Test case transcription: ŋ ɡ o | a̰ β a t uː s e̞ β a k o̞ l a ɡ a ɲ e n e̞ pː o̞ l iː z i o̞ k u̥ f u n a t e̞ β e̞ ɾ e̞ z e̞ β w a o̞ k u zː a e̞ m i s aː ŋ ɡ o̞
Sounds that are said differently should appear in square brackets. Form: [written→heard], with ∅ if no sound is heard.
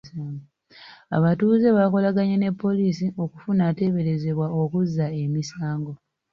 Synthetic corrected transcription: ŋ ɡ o | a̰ β a t uː [s→z] e̞ β a k o̞ l a ɡ a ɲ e n e̞ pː o̞ l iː [z→s] i o̞ k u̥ f u n a t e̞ β e̞ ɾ e̞ z e̞ β w a o̞ k u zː a e̞ m i s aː ŋ ɡ o̞